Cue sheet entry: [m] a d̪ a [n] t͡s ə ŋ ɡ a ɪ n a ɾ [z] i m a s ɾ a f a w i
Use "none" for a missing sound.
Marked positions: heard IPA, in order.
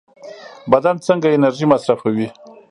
b, n, ʒ

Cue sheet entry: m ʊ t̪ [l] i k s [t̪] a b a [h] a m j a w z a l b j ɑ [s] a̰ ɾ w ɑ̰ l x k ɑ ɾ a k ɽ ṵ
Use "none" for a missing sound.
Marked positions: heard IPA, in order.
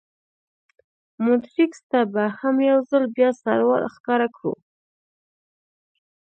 ɾ, t̪, h, s

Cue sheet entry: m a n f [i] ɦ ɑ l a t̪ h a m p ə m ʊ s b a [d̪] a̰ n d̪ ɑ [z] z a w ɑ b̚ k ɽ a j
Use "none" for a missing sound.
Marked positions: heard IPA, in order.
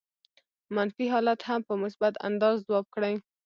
i, t̪, z

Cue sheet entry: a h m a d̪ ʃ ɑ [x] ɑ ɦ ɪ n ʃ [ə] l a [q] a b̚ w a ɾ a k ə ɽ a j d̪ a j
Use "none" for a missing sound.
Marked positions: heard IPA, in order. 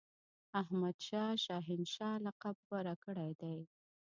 ʃ, ɑ, q

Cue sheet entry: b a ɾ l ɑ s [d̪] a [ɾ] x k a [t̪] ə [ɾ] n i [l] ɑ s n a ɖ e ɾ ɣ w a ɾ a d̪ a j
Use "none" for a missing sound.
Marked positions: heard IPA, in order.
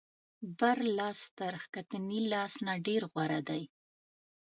t̪, ɾ, t̪, none, l

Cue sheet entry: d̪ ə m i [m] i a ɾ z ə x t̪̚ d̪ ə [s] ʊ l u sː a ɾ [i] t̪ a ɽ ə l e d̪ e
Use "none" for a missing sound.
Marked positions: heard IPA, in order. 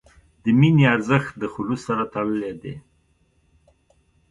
n, x, a

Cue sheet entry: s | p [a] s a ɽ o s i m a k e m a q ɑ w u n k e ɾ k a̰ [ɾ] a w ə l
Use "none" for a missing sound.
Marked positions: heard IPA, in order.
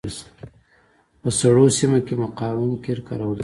ə, ɾ

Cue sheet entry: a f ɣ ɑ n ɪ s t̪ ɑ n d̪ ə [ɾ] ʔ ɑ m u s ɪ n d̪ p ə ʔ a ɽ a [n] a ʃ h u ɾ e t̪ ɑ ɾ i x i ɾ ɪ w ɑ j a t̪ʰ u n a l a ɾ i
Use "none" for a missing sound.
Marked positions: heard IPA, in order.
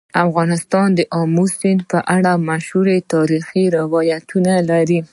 none, m

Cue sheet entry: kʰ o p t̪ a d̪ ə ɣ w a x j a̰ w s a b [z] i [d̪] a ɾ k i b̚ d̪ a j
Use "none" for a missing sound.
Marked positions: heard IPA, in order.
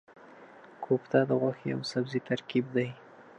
z, t̪

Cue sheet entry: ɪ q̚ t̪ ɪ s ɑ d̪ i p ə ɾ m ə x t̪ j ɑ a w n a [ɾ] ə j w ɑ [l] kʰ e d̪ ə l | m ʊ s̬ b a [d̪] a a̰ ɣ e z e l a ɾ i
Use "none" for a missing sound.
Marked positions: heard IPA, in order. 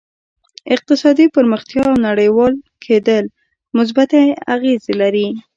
ɽ, l, t̪

